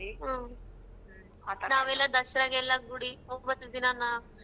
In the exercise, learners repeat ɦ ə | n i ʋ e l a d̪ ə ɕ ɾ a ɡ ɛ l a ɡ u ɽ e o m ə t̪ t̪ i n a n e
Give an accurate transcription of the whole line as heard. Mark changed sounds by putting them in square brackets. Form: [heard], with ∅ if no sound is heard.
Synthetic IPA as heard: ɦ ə | n [a] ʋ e l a d̪ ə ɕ ɾ a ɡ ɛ l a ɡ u ɽ [i] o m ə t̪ [d̪] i n a n [a]

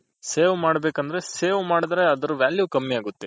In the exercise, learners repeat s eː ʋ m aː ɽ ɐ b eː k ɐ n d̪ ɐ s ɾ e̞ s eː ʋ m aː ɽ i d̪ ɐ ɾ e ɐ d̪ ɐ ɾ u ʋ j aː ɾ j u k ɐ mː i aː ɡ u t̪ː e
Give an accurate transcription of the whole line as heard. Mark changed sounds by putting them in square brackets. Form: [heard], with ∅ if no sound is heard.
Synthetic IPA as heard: s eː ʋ m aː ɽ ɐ b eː k ɐ n d̪ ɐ [∅] ɾ e̞ s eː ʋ m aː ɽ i d̪ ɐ ɾ e ɐ d̪ ɐ ɾ u ʋ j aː [l] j u k ɐ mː i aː ɡ u t̪ː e

